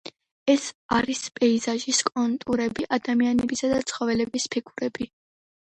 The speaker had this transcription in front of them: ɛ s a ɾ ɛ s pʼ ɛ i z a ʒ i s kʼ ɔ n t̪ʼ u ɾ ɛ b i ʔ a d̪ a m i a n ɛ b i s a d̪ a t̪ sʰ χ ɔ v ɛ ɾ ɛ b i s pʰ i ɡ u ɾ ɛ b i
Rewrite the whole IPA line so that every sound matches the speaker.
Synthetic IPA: ɛ s a ɾ i s pʼ ɛ i z a ʒ i s kʼ ɔ n t̪ʼ u ɾ ɛ b i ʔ a d̪ a m i a n ɛ b i s a d̪ a t̪ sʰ χ ɔ v ɛ l ɛ b i s pʰ i ɡ u ɾ ɛ b i